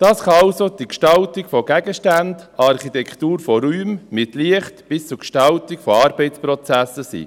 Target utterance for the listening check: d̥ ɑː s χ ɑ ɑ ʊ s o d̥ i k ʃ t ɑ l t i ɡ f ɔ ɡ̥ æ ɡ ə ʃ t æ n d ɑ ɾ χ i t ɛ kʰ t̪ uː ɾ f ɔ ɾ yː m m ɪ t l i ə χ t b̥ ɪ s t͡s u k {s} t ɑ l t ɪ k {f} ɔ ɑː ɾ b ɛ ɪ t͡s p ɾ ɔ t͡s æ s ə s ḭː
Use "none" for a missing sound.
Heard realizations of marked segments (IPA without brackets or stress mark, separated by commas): ʃ, f